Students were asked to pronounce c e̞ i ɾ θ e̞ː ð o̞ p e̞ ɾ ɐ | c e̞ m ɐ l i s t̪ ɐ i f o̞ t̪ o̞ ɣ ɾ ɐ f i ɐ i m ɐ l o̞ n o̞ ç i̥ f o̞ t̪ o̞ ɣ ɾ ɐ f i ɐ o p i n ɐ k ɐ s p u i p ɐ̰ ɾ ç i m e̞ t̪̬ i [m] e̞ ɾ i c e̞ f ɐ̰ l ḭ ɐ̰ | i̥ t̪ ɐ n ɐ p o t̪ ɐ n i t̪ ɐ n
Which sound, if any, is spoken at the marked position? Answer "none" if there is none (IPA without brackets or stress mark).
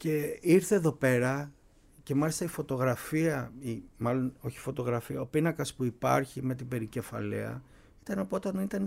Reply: b